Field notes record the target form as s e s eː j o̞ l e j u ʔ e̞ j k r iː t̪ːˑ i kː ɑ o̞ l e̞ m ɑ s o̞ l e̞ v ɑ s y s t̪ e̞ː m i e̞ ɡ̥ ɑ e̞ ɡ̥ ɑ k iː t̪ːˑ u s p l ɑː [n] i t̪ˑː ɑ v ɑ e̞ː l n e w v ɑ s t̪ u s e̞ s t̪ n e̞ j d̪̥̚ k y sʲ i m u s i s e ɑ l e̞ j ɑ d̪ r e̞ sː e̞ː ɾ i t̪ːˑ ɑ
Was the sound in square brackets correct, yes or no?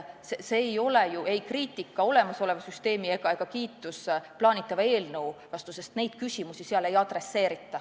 yes